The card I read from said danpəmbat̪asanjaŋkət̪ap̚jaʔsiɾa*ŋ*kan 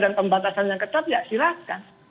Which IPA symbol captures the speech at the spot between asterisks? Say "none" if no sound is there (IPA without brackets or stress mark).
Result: none